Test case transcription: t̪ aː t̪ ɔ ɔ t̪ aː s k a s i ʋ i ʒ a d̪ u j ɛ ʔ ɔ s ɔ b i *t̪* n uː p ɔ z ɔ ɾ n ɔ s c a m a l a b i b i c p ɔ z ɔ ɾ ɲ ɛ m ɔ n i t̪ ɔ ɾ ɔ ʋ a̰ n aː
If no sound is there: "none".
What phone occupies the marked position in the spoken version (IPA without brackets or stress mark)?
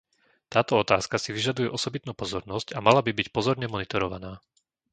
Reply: t̪